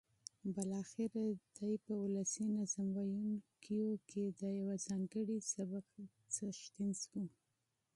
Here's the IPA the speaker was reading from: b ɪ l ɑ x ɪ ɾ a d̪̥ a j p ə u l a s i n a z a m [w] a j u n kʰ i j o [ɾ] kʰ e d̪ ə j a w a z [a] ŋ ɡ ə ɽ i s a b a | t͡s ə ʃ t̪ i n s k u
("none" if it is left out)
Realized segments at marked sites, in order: w, none, ɑ

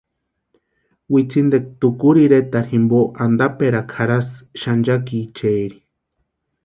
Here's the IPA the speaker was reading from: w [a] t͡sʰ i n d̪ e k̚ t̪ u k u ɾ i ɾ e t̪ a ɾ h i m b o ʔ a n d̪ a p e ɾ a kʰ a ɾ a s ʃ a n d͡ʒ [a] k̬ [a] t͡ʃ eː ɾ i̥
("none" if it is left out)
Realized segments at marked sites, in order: i, a, i

